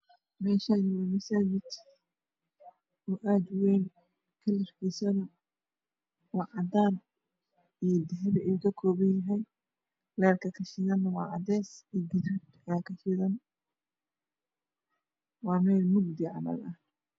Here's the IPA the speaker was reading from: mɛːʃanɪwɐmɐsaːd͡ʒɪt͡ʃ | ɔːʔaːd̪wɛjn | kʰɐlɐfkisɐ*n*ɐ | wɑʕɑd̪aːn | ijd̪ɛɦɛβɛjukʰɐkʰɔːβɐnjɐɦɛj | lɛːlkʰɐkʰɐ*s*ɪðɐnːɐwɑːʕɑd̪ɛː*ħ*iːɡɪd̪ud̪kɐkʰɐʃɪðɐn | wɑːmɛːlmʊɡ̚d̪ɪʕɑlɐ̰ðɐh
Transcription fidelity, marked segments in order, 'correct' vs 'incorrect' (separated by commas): correct, incorrect, incorrect